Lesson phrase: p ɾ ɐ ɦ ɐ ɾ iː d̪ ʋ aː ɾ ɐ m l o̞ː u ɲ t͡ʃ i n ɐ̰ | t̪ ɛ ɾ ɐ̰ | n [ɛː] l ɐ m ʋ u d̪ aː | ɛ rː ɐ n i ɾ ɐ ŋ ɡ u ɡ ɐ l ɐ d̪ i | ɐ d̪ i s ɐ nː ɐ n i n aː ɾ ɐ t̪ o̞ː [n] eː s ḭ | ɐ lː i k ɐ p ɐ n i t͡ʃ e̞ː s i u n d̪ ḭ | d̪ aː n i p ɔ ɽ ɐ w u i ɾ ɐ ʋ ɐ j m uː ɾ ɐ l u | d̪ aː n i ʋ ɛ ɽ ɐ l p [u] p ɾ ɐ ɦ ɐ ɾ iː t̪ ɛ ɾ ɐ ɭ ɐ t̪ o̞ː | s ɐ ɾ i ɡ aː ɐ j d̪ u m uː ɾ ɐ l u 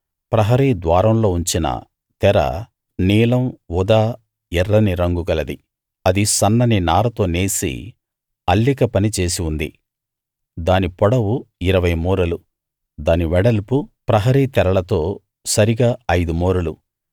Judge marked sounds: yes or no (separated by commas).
no, yes, yes